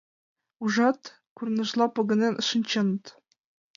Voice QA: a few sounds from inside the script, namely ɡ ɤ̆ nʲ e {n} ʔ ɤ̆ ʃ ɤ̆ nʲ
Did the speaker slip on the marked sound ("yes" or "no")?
no